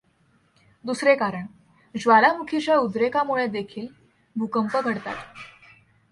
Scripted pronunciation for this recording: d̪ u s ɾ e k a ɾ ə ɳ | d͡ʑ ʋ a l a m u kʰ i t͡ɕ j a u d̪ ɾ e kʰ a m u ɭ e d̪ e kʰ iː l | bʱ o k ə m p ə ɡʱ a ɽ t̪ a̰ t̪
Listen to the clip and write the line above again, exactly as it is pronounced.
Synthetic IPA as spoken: d̪ u s ɾ e k a ɾ ə ɳ | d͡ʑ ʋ a l a m u kʰ i t͡ɕ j a u d̪ ɾ e k a m u ɭ e d̪ e kʰ iː l | bʱ u k ə m p ə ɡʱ ə ɽ t̪ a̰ t̪